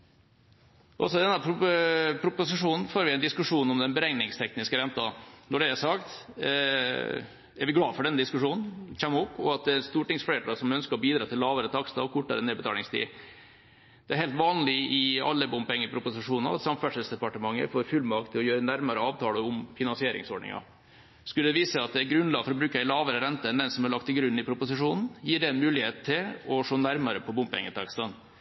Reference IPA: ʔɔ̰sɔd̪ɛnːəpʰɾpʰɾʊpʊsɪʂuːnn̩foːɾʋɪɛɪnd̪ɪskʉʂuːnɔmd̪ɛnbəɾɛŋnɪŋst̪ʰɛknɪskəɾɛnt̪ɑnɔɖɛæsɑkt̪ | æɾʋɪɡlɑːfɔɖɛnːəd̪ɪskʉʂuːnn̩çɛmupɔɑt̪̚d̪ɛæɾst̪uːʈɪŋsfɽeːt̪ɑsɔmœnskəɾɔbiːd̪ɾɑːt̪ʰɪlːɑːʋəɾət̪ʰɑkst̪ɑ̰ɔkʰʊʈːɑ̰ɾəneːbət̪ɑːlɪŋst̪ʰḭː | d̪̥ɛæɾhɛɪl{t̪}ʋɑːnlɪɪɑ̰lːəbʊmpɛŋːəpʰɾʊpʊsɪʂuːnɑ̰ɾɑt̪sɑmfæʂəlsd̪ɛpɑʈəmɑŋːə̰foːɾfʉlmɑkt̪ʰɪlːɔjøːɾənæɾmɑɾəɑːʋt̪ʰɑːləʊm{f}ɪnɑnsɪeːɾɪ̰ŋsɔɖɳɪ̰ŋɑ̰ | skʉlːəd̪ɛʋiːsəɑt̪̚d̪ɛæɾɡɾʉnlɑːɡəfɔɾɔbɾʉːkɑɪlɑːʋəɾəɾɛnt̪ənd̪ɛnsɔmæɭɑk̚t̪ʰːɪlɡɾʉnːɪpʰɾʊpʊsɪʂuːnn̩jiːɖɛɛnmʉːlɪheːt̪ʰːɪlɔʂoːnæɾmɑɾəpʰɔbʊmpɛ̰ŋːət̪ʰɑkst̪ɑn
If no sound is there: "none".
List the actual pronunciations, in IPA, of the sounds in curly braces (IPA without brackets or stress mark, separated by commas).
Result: t̪, f